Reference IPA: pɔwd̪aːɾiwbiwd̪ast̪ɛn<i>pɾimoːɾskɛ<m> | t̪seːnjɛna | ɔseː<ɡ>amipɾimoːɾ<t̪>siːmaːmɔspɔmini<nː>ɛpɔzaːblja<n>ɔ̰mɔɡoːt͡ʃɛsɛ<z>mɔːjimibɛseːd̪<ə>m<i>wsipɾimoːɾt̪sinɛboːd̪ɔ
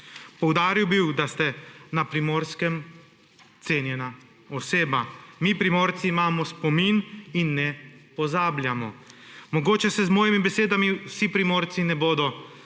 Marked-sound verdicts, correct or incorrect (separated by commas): incorrect, correct, incorrect, correct, correct, incorrect, correct, incorrect, correct